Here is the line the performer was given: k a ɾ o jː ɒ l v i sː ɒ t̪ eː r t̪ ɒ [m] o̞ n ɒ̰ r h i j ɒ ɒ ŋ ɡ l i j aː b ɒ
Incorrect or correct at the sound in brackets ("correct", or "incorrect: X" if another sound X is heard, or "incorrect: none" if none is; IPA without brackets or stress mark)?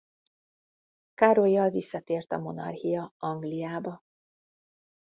correct